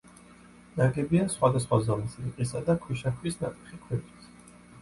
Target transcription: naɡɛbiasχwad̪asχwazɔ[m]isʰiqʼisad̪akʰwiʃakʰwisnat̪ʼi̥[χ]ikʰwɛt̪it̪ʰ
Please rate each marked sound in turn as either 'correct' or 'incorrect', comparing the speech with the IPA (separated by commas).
correct, correct